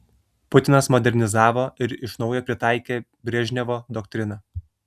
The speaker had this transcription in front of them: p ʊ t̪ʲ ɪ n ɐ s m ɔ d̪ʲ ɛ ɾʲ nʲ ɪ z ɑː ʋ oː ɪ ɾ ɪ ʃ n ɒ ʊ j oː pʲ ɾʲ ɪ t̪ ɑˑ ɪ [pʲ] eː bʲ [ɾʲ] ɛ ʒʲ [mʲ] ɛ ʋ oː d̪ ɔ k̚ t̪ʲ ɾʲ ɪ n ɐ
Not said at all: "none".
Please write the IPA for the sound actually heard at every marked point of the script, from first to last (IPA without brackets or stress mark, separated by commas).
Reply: kʲ, ɾʲ, nʲ